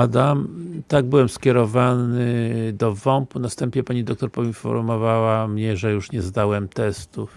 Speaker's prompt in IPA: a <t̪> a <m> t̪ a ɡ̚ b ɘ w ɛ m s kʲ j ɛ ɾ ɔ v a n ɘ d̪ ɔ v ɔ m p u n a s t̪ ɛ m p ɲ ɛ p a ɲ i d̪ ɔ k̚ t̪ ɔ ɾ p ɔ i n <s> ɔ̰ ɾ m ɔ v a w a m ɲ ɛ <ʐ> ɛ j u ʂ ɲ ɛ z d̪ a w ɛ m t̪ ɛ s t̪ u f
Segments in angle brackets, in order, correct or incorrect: incorrect, correct, incorrect, correct

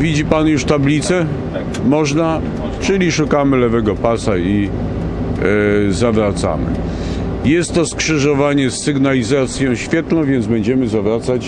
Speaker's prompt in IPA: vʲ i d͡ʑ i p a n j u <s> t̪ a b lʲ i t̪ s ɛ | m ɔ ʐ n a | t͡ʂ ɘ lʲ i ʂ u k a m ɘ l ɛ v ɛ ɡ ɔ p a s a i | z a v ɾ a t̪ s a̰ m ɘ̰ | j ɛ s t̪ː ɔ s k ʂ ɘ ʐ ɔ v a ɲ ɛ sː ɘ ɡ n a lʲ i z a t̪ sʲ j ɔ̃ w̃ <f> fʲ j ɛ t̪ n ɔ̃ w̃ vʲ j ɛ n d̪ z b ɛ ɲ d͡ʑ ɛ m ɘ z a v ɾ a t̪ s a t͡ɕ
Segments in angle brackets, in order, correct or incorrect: incorrect, incorrect

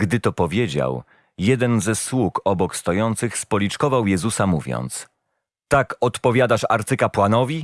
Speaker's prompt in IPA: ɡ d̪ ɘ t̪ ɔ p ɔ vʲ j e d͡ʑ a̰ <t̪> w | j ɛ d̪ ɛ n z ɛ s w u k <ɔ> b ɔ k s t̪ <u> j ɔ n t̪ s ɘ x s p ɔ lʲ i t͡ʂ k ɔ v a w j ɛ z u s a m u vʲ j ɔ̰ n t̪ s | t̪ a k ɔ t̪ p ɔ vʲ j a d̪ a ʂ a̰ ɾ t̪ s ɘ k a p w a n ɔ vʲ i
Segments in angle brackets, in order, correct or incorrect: incorrect, correct, incorrect

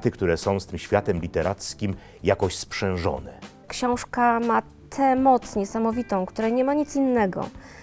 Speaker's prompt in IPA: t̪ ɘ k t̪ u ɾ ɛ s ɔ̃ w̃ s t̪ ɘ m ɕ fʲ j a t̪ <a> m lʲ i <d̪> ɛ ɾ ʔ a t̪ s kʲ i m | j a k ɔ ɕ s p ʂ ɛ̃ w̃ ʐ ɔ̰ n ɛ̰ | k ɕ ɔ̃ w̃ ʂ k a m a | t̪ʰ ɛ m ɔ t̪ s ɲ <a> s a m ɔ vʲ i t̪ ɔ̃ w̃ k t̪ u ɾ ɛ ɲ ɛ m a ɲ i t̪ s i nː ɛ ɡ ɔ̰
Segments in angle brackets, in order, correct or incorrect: incorrect, incorrect, incorrect

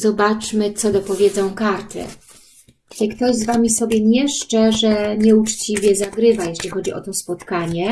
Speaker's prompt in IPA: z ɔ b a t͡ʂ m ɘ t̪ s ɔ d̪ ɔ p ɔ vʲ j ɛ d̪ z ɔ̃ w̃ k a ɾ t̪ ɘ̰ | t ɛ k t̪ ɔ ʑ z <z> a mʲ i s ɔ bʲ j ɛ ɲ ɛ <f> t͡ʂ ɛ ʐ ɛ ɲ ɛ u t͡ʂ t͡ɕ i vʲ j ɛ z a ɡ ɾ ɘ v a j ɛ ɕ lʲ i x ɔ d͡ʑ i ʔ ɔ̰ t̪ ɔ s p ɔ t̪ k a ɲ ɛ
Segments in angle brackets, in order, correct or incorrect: incorrect, incorrect

